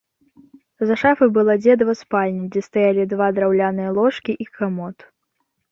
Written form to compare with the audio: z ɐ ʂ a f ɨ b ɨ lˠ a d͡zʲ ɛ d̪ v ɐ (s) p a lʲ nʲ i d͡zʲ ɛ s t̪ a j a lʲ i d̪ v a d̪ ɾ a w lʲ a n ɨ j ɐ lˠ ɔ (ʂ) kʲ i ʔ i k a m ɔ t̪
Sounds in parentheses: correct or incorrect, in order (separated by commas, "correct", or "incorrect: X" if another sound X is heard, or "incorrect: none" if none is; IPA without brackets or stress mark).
correct, correct